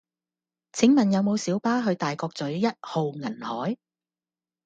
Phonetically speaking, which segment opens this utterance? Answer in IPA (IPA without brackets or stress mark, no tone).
t͡sʰ